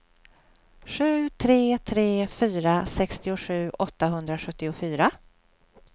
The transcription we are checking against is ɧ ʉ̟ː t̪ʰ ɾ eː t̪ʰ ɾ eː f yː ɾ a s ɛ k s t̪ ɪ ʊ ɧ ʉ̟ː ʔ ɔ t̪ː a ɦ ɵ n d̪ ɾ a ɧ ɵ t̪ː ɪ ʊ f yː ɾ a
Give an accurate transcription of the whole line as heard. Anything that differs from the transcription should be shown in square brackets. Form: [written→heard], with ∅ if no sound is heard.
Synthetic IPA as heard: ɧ ʉ̟ː t̪ʰ ɾ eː t̪ʰ ɾ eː f yː ɾ a s ɛ k s t̪ ɪ ʊ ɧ ʉ̟ː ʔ ɔ t̪ː a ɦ ɵ n d̪ ɾ a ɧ ɵ t̪ː ɪ ʊ f yː ɾ a